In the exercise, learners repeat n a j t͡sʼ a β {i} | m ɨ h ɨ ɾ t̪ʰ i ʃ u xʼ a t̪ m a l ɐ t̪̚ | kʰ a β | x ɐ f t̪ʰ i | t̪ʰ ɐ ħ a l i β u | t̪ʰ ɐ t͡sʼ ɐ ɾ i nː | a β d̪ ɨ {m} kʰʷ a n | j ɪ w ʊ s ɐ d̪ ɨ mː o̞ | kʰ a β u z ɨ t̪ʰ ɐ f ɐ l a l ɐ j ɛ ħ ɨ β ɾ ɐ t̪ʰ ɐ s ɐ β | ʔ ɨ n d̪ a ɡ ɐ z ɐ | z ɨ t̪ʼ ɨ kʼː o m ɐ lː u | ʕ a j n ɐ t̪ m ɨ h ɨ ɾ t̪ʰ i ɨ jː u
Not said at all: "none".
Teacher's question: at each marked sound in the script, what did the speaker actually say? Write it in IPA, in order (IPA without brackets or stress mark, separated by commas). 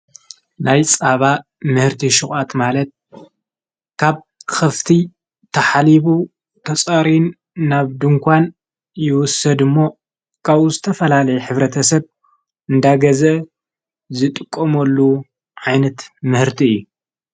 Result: a, ŋ